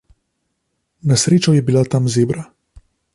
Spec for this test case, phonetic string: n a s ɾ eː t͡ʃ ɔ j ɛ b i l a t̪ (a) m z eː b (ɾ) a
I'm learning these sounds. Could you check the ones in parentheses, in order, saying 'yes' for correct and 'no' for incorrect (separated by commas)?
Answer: yes, yes